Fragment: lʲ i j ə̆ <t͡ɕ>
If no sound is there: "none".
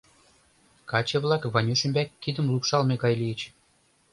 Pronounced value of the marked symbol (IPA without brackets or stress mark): t͡ɕ